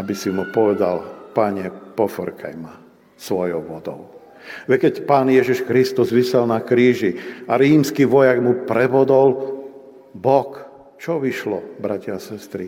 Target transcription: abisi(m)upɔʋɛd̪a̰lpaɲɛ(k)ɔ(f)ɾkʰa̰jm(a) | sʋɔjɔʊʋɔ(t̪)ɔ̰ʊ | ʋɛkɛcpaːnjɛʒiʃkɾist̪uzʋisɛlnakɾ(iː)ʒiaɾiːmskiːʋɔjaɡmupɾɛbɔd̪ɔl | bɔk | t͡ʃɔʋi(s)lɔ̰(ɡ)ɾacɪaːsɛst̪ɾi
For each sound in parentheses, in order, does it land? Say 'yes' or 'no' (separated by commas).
yes, no, yes, yes, no, yes, no, no